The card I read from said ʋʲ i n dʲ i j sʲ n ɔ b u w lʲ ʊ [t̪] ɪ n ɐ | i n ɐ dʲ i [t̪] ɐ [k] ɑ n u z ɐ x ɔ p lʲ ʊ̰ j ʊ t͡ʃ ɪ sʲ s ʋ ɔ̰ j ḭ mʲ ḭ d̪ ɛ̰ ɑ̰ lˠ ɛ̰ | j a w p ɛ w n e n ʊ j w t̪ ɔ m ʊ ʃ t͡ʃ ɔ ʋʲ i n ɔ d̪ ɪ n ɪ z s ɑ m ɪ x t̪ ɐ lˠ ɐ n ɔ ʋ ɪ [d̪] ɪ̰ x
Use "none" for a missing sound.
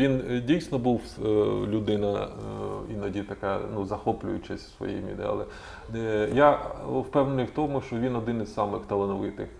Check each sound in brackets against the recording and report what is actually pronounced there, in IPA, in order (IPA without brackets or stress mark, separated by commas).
d̪, t̪, k, t̪